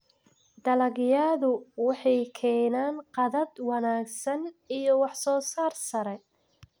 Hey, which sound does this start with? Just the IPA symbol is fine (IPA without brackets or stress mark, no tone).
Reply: d̪